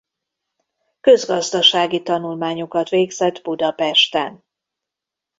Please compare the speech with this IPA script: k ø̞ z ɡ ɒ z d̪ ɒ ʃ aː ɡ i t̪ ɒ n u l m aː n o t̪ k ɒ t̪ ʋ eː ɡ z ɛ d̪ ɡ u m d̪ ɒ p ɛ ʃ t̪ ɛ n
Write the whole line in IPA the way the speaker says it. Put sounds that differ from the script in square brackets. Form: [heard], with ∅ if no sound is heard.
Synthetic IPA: k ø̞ z ɡ ɒ z d̪ ɒ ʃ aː ɡ i t̪ ɒ n u l m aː [ɲ] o [∅] k ɒ t̪ ʋ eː ɡ z ɛ d̪ [b] u [∅] d̪ ɒ p ɛ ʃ t̪ ɛ n